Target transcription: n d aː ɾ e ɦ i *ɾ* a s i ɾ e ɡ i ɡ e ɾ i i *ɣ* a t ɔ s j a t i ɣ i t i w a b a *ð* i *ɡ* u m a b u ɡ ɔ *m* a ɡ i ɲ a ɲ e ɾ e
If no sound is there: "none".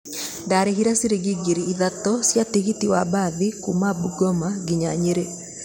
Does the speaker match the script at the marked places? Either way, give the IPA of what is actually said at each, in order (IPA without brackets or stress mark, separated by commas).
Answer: ɾ, ð, ð, k, m